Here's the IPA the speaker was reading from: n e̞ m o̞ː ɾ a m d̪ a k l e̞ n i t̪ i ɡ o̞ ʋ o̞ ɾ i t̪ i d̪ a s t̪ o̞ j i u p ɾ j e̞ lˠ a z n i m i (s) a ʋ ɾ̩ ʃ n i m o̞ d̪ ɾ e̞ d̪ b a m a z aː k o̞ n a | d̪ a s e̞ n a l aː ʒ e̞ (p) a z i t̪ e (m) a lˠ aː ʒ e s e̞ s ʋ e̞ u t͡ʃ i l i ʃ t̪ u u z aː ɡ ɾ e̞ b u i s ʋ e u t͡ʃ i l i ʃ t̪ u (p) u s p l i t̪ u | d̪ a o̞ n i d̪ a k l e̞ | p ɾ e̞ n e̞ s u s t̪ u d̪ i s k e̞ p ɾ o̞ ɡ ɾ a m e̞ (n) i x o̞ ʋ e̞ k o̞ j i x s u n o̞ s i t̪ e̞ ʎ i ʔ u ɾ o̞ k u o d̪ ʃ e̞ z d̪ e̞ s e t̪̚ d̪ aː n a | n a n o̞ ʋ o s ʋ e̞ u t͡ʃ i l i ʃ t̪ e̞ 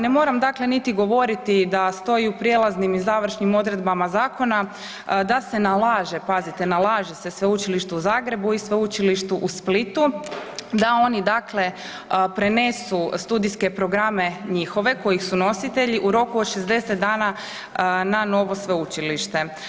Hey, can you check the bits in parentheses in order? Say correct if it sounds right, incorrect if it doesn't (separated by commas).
incorrect, correct, incorrect, incorrect, incorrect